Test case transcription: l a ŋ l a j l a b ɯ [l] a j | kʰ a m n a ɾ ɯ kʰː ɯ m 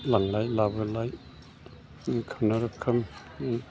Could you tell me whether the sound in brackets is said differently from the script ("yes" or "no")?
no